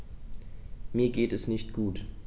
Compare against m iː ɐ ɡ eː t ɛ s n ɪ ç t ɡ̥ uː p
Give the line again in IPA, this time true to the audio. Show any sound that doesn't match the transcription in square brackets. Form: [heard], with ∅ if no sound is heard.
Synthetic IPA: m iː ɐ ɡ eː t ɛ s n ɪ ç t ɡ̥ uː [t]